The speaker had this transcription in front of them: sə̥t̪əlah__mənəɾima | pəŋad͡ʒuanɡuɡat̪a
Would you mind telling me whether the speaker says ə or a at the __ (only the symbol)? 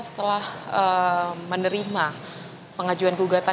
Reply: ə